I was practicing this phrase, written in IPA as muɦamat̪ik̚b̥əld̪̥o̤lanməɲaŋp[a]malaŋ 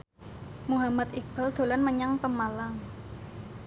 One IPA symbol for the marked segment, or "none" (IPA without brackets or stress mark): ə